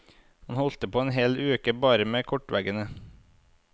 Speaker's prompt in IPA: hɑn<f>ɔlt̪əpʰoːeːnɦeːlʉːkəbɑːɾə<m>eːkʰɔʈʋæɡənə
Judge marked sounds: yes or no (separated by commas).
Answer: no, yes